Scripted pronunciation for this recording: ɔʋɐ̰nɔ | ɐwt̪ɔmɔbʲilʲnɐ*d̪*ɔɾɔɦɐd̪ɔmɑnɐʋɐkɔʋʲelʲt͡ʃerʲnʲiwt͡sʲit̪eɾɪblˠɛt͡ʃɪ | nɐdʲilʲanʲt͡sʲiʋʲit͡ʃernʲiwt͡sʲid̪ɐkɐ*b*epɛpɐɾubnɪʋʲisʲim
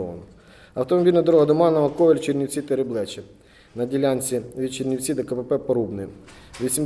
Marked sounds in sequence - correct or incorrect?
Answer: correct, incorrect

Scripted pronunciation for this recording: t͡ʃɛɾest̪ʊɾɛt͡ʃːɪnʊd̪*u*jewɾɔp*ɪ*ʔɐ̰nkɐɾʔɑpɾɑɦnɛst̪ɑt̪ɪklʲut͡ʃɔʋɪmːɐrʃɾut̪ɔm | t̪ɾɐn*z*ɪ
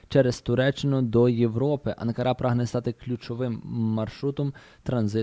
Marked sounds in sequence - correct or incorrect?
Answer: incorrect, correct, correct

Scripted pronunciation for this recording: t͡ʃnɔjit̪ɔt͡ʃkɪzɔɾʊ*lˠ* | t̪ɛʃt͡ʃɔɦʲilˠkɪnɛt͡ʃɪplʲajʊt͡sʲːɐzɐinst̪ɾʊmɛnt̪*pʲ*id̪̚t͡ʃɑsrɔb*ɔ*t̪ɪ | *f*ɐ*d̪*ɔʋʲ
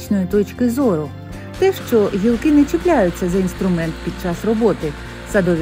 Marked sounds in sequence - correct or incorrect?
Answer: incorrect, correct, correct, incorrect, correct

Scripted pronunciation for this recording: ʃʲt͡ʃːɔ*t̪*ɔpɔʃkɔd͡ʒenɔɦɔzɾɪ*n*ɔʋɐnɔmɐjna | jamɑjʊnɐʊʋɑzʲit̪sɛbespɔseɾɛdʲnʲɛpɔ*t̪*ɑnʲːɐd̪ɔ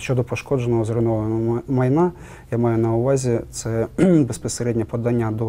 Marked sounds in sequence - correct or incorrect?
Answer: incorrect, correct, incorrect

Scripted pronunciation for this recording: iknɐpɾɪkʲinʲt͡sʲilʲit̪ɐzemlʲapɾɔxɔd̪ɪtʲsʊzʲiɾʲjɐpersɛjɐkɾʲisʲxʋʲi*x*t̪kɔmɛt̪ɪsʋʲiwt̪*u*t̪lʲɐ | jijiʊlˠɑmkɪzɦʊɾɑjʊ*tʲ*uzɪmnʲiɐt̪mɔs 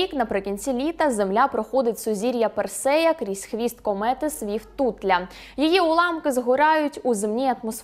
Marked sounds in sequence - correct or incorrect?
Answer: incorrect, correct, correct

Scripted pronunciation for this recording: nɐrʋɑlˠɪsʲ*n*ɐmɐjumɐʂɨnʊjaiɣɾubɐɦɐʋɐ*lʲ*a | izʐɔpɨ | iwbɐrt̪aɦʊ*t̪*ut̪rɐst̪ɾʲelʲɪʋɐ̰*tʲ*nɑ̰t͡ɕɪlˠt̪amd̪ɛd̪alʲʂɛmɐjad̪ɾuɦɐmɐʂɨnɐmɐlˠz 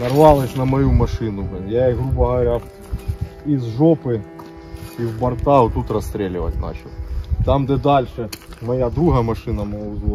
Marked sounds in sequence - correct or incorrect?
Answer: correct, incorrect, correct, correct

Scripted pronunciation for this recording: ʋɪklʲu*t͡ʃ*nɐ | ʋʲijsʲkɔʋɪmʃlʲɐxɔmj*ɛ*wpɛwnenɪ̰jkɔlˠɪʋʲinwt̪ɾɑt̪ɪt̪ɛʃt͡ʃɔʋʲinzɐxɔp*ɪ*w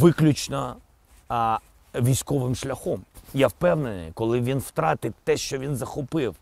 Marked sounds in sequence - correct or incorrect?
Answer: correct, incorrect, correct

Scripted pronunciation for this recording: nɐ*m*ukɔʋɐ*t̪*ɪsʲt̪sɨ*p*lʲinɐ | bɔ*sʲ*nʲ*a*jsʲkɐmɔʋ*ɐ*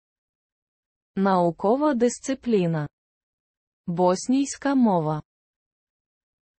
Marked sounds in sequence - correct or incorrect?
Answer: incorrect, incorrect, correct, correct, incorrect, correct

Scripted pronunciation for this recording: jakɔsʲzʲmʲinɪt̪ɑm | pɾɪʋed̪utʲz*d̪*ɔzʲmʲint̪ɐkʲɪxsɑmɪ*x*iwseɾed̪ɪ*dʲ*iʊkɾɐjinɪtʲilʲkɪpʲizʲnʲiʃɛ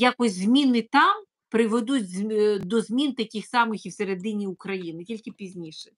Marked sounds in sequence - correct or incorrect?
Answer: correct, correct, incorrect

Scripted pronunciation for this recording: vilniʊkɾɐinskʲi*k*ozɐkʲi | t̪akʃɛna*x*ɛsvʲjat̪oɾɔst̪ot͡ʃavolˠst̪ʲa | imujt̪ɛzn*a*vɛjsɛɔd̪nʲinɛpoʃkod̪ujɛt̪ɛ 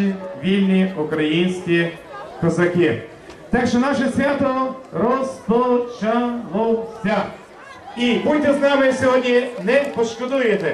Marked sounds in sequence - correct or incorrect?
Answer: correct, incorrect, correct

